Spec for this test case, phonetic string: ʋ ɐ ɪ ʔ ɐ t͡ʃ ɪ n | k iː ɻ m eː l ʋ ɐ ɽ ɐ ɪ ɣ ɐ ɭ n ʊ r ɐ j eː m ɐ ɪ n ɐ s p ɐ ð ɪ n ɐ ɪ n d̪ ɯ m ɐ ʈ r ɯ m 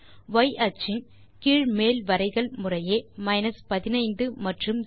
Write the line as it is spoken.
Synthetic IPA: ʋ ɐ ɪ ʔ ɐ t͡ʃ ɪ n | k iː ɻ m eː l ʋ ɐ ɾ ɐ ɪ ɣ ɐ ɭ m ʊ r ɐ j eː m ɐ ɪ n ɐ s p ɐ ð ɪ n ɐ ɪ n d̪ ɯ m ɐ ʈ r ɯ m